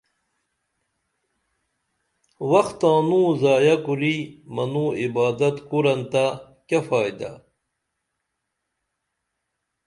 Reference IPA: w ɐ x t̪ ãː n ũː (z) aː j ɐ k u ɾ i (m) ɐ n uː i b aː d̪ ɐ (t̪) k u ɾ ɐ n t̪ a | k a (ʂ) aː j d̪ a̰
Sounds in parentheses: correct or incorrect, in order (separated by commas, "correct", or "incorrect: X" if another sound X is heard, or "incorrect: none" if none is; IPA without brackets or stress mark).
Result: correct, correct, correct, incorrect: f